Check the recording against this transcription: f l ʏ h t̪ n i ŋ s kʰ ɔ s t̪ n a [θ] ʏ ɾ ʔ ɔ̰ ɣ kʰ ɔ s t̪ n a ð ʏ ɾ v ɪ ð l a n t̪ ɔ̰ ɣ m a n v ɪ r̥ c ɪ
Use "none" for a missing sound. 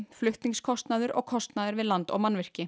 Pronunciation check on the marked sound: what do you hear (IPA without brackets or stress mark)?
ð